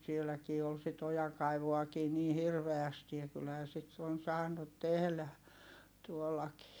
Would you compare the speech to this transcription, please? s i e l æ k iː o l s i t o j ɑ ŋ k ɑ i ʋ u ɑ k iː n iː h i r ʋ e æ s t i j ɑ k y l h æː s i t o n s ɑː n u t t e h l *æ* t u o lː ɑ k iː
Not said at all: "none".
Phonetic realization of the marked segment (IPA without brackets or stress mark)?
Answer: æ